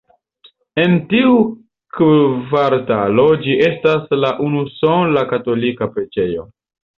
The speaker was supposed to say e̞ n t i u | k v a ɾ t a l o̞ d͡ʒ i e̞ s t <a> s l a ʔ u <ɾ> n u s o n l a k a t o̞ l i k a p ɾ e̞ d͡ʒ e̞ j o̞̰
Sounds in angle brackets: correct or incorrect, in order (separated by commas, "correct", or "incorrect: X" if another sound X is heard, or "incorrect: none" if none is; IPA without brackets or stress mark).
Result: correct, incorrect: none